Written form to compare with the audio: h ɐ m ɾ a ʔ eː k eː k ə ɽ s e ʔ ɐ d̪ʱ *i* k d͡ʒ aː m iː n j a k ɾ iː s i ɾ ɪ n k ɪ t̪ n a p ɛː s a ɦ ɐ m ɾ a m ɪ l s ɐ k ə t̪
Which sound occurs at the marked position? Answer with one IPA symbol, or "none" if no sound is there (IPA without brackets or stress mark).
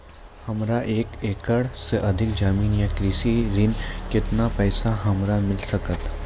ɪ